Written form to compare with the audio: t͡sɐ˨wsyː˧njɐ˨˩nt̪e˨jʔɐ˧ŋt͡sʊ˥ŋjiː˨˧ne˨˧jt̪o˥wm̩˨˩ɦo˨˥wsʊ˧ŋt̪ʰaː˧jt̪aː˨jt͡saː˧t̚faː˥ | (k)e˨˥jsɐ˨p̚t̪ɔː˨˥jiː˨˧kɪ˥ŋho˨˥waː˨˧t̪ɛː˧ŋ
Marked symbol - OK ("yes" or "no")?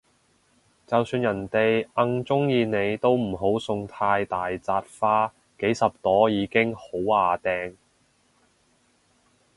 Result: yes